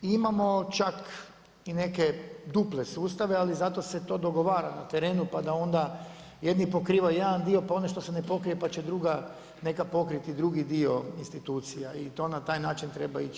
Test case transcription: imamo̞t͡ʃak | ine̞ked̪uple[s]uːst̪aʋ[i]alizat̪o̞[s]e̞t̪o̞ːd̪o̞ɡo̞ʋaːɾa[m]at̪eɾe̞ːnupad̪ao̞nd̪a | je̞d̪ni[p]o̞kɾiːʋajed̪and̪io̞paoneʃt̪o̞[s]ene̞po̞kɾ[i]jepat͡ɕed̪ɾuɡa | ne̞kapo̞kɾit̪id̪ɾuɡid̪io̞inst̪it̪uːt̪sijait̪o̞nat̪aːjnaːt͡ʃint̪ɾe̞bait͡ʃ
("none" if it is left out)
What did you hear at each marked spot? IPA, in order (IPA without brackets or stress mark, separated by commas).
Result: s, e, s, n, p, s, i